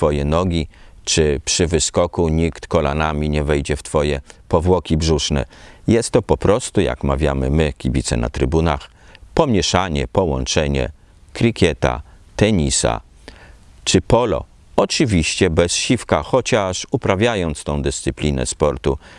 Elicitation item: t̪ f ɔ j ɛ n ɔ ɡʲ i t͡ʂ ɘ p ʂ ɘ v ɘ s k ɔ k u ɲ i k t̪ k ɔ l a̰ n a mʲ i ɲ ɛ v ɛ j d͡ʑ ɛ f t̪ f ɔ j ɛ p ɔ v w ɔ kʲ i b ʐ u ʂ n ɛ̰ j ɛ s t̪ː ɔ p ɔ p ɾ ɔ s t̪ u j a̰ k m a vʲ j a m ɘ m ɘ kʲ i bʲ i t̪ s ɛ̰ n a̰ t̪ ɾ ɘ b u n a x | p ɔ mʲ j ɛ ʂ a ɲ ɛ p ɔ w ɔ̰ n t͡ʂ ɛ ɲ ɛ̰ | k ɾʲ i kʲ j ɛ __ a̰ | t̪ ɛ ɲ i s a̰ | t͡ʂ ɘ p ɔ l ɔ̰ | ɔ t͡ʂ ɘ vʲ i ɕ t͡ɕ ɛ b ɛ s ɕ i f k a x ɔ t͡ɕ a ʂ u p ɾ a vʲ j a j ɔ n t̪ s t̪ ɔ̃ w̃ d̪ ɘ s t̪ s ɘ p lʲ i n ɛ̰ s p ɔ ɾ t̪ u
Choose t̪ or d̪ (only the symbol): t̪